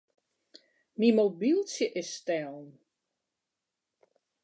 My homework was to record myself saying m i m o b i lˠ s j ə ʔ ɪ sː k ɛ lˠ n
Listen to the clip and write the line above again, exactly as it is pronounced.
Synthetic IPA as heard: m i m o b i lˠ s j ə ʔ ɪ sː t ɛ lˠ n